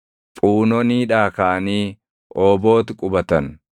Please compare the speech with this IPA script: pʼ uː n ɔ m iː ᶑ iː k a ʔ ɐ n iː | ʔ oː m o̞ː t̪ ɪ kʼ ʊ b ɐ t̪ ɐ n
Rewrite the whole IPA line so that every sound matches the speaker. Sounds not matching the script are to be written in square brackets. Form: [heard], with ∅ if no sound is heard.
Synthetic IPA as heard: pʼ uː n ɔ [n] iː ᶑ [aː] k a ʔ ɐ n iː | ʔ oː [b] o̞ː t̪ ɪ kʼ ʊ b ɐ t̪ ɐ n